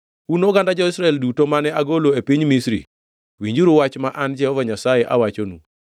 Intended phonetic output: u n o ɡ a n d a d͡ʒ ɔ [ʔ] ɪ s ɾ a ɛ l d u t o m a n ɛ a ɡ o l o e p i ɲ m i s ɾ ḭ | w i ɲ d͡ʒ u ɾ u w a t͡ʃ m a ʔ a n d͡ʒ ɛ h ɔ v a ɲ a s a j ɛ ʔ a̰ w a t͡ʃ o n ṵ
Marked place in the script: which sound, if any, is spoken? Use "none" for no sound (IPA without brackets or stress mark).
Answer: none